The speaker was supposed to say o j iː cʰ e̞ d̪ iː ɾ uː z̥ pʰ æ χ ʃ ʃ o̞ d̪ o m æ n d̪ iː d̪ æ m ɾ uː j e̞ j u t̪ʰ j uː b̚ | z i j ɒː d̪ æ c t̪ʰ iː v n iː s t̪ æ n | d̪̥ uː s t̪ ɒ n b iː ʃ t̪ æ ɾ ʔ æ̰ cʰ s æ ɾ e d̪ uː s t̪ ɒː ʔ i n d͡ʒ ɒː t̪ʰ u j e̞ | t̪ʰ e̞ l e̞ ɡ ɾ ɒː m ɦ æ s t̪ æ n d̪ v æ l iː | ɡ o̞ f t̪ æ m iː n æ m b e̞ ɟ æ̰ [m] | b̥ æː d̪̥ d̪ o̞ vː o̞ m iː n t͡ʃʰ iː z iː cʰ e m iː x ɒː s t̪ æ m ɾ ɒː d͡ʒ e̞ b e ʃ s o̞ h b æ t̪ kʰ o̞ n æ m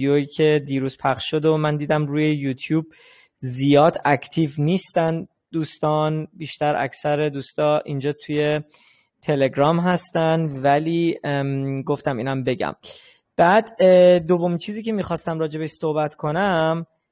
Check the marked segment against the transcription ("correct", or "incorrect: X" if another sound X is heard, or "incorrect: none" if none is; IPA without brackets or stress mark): correct